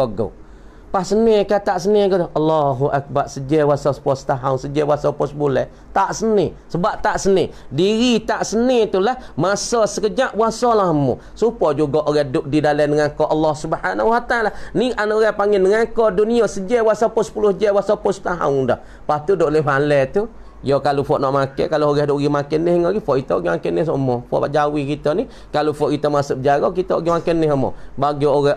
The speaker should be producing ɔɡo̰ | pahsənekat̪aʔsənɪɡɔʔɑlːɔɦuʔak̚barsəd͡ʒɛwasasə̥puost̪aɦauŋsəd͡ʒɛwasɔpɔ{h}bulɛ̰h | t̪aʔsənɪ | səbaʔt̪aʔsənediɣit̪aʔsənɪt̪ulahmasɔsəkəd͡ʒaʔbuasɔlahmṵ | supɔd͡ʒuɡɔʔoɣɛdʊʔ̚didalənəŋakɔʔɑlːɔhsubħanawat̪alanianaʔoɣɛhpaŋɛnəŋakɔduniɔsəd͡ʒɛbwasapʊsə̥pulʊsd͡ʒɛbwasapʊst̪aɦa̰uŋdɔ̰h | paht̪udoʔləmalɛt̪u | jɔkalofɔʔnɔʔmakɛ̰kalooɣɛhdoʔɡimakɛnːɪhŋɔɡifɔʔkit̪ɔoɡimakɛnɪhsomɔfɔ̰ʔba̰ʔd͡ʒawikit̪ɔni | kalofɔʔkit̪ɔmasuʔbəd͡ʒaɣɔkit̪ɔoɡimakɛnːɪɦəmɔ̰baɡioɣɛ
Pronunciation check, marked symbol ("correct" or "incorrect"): incorrect